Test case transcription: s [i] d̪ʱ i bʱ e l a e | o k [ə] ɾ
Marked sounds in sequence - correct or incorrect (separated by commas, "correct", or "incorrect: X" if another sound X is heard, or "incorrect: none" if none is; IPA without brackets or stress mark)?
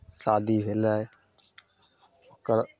incorrect: a, correct